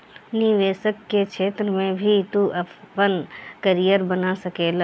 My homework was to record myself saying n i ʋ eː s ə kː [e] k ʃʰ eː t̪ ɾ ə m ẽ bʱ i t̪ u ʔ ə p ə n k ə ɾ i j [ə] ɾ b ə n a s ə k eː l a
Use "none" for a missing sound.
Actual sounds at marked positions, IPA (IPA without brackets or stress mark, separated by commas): e, ə